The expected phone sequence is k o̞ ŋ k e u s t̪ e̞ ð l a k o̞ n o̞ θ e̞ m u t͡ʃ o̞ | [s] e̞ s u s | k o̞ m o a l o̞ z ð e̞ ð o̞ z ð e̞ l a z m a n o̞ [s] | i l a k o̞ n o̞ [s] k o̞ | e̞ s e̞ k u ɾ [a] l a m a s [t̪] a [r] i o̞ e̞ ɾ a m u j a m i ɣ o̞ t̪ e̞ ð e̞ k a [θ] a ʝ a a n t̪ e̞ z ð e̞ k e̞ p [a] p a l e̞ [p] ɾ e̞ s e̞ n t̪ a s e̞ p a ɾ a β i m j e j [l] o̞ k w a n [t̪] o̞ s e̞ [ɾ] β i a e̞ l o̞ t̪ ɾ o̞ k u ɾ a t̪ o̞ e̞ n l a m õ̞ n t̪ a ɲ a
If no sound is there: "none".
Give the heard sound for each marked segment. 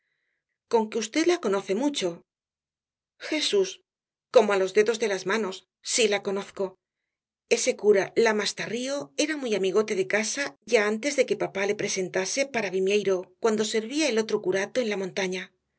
x, sː, θ, a, t̪, r, s, a, p, ɾ, d̪, ɾ

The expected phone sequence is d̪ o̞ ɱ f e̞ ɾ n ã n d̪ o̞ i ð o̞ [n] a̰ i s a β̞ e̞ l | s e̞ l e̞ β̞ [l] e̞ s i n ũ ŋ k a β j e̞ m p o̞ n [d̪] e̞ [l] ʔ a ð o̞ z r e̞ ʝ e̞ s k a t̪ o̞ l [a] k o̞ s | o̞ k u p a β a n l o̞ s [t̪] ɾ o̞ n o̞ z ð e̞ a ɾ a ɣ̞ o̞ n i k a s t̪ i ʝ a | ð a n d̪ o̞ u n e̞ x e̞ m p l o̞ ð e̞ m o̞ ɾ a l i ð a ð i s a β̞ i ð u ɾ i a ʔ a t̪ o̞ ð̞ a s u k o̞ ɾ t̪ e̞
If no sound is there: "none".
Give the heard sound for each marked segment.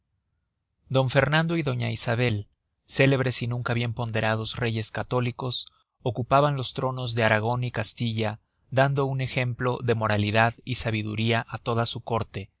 ɲ, ɾ, d̪, ɾ, i, t̪

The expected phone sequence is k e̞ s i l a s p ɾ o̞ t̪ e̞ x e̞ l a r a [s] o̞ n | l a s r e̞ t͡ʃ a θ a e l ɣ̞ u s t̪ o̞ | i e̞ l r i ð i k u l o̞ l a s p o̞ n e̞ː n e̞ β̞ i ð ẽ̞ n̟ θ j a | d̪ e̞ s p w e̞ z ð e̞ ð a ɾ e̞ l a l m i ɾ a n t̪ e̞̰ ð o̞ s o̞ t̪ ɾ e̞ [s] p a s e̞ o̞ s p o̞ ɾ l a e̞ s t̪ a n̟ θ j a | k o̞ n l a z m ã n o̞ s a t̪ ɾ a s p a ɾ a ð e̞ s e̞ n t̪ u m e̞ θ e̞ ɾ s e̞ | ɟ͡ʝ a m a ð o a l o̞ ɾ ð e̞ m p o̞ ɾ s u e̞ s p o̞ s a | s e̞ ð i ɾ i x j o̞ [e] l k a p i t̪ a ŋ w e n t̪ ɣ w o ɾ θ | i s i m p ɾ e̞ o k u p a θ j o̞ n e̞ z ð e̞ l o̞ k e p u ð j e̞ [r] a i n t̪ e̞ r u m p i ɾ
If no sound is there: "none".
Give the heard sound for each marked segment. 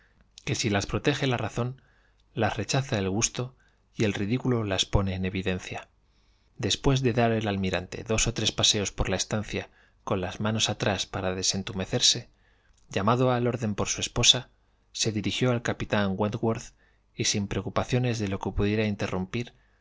θ, s, a, ɾ

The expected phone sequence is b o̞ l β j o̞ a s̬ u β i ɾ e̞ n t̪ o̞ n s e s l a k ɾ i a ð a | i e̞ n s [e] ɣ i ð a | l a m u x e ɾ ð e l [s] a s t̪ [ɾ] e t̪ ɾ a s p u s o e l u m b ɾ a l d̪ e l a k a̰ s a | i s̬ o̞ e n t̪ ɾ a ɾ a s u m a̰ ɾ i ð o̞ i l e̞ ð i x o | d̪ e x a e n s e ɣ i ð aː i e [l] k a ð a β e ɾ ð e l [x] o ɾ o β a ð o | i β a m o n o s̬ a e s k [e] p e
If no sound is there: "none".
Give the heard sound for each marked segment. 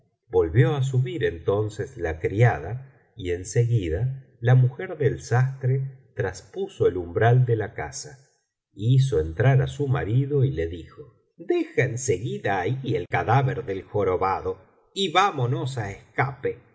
e, s, ɾ, l, x, a

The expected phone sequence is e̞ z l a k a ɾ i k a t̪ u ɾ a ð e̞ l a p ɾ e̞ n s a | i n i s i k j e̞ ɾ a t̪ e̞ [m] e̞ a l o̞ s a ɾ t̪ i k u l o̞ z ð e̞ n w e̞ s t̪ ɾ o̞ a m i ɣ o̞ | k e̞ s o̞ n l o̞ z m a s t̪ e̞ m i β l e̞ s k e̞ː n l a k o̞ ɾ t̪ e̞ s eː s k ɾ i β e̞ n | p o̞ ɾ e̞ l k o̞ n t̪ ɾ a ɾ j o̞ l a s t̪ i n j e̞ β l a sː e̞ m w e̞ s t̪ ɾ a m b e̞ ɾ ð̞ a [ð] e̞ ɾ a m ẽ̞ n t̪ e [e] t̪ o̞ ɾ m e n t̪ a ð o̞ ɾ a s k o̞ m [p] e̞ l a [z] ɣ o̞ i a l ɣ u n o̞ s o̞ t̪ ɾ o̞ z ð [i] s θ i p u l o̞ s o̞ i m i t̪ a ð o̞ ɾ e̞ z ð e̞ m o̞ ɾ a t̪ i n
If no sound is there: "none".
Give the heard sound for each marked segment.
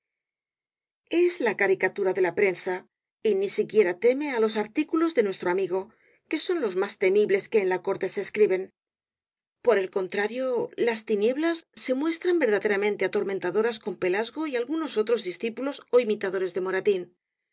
m, ð, a, p, z, i

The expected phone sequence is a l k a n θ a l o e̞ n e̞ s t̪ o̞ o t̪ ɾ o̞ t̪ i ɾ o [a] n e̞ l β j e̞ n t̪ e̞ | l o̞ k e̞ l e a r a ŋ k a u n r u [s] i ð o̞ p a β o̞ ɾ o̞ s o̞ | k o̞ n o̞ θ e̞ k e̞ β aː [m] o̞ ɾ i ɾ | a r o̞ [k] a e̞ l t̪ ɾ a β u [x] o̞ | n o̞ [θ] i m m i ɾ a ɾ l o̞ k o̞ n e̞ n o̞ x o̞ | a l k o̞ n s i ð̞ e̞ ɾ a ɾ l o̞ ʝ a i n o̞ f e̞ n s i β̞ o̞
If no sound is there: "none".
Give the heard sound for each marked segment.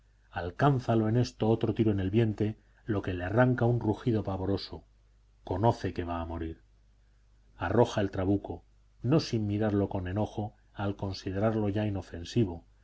e, x, m, x, k, s

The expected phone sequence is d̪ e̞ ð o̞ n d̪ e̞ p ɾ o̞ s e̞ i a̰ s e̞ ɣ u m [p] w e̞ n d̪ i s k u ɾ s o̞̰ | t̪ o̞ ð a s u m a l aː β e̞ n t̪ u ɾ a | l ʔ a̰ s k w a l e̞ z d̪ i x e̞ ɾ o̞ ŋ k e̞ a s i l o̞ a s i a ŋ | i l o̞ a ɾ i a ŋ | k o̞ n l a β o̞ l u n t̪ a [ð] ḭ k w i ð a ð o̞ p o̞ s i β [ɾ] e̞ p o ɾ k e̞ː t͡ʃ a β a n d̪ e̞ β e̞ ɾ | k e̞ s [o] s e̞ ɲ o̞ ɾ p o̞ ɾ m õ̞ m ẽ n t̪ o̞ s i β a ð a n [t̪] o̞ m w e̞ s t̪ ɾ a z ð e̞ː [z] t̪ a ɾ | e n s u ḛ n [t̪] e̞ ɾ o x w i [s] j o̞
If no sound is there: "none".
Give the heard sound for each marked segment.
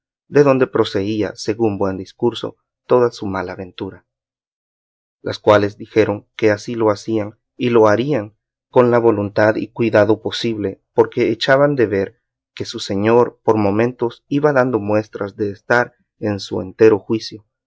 b, ð, l, u, d̪, s, t̪, s

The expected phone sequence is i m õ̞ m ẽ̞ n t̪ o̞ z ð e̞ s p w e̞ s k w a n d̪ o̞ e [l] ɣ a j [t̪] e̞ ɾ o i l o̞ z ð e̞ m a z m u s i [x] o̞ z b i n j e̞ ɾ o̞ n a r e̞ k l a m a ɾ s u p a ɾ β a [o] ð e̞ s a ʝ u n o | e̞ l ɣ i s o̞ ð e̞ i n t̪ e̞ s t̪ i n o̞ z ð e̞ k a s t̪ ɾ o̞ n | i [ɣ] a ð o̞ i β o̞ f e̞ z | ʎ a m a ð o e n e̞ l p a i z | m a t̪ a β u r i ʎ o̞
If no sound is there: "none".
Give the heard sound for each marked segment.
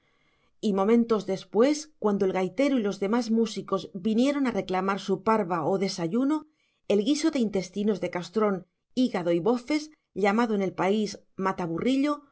l, t̪, k, o, ɣ

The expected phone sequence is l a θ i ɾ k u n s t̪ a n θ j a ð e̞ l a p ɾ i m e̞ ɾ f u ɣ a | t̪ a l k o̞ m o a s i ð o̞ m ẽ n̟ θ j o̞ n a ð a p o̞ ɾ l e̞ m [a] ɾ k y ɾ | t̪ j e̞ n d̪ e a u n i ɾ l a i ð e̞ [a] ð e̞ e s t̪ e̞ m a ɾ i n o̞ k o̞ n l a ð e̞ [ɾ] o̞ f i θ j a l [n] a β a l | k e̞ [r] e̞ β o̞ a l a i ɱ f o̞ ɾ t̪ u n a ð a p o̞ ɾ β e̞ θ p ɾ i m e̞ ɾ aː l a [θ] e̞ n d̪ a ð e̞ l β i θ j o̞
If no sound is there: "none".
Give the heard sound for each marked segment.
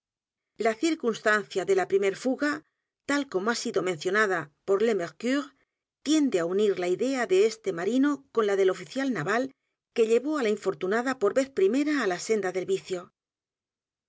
e, a, l, n, ʎ, s

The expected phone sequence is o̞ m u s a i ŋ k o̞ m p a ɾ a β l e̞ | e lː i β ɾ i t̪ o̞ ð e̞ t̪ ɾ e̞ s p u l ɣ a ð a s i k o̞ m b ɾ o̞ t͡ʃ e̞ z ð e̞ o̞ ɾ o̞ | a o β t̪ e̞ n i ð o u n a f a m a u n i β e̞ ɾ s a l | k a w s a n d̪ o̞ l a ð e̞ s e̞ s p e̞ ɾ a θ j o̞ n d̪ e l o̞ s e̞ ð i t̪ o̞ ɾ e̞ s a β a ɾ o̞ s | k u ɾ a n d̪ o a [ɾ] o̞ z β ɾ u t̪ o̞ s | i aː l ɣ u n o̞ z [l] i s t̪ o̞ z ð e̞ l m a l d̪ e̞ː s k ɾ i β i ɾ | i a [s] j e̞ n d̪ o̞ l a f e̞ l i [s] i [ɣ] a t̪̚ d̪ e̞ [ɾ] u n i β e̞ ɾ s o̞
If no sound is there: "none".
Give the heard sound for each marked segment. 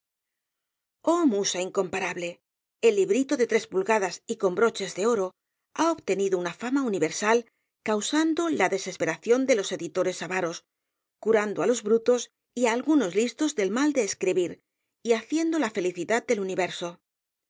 l, l, θ, θ, ð, l

